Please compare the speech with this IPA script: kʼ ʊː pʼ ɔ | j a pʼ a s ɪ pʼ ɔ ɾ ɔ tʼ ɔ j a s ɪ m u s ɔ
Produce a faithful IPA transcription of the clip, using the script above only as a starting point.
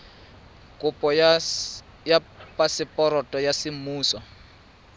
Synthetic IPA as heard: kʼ ʊ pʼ ɔ | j a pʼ a s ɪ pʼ ɔ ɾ ɔ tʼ ɔ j a s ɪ m uː s ɔ